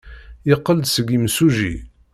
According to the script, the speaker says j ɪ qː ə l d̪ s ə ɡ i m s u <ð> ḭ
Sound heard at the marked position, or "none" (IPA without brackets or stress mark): ʒ